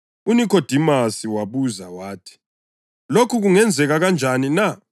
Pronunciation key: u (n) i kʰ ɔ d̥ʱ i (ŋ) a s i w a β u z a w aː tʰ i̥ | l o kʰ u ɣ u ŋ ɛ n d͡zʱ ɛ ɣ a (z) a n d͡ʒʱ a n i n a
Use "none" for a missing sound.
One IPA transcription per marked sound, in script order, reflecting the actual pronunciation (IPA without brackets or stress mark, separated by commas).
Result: n, m, ɣ